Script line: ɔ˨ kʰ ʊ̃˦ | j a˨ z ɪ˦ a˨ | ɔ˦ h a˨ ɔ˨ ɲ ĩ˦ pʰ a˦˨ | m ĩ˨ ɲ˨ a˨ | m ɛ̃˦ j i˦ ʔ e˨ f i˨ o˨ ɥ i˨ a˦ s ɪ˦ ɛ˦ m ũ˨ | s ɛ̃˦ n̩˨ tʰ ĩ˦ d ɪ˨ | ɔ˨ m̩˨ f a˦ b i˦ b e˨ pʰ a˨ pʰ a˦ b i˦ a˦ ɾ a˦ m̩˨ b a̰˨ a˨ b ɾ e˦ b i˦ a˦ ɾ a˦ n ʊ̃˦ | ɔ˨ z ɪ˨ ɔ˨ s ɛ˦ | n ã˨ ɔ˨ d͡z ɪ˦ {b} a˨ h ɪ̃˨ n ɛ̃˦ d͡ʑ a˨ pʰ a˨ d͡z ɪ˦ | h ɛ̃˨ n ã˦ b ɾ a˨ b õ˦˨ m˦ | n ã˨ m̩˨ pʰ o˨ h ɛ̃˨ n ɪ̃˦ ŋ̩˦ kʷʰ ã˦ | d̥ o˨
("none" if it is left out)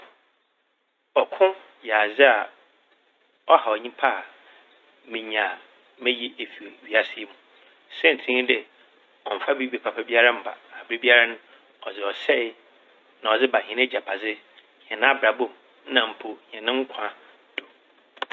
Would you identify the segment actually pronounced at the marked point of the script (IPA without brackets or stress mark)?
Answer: b